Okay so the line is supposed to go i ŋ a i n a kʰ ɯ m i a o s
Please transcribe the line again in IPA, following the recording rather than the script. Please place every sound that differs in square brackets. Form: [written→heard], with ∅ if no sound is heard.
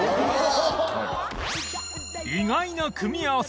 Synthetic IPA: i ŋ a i n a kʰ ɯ m i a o s